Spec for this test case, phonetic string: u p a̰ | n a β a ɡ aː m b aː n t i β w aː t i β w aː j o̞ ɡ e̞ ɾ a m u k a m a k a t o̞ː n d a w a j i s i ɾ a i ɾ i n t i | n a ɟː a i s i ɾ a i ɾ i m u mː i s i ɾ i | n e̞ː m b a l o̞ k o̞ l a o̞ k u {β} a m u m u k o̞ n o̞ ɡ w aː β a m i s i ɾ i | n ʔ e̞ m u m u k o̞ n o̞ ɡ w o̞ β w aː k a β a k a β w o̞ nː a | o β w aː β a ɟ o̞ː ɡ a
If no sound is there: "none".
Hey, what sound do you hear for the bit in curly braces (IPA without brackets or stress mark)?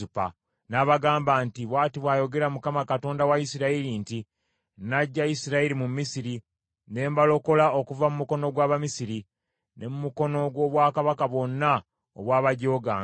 v